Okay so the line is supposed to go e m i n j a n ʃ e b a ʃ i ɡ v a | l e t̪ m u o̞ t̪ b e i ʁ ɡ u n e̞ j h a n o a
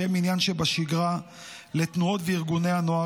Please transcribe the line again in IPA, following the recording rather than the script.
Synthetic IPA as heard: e m i n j a n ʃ e b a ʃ i ɡ ʁ a | l e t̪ n u o̞ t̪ v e i ʁ ɡ u n e̞ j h a n o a